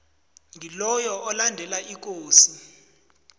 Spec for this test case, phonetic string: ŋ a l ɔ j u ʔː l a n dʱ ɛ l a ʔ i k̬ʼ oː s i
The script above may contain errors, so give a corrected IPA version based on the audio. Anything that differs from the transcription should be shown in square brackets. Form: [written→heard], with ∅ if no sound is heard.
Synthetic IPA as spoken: ŋ [a→i] l ɔ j [u→ɔ] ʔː l a n dʱ ɛ l a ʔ i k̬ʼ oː s i

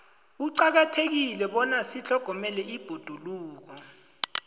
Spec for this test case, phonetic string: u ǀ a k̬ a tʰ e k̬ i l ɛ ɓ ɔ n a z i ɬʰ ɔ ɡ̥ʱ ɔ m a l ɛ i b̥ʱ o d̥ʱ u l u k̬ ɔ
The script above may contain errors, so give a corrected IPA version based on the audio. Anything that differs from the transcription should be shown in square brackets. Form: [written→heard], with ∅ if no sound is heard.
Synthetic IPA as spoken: u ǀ a k̬ a tʰ e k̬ i l ɛ ɓ ɔ n a [z→s] i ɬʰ ɔ ɡ̥ʱ ɔ m [a→ɛ] l ɛ i b̥ʱ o d̥ʱ u l [u→uː] k̬ ɔ

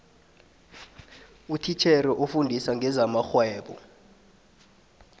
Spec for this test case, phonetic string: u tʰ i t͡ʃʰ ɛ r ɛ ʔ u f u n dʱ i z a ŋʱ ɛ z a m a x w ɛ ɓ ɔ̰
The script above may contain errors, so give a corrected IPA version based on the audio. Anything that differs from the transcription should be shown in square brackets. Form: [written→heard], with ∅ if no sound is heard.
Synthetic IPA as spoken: u tʰ i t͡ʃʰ ɛ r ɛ ʔ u f u n dʱ i [z→s] a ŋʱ ɛ z a m a x w [ɛ→ɛː] ɓ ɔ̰

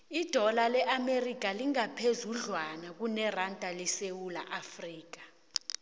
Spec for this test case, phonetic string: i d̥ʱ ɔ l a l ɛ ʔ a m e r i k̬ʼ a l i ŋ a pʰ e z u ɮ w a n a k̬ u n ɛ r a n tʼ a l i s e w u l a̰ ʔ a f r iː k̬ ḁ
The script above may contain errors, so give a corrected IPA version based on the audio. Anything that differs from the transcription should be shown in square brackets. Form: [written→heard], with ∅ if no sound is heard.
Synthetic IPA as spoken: i d̥ʱ ɔ l a l ɛ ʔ a m e r i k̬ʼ a l i ŋ a pʰ e z u ɮ w a n a k̬ u n ɛ r a n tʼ a l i s e w u l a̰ ʔ a f r iː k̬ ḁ

